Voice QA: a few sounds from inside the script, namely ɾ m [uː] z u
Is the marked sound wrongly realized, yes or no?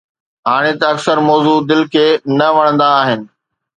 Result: yes